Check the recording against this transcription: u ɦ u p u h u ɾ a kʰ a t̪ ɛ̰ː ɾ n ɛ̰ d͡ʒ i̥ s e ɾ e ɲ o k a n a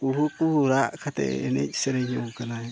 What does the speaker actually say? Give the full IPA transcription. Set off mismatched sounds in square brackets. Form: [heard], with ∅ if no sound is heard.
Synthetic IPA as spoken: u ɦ u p u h u ɾ a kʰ a t̪ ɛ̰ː [∅] n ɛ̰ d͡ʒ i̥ s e ɾ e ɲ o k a n a